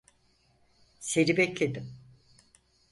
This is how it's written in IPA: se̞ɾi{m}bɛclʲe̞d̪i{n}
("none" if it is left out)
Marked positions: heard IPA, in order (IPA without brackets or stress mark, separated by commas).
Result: none, m